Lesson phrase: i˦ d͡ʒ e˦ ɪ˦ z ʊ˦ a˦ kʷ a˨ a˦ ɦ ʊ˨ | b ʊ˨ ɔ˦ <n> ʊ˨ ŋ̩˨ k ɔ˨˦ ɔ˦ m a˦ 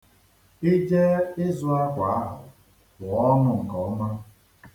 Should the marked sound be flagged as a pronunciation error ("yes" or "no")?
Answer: no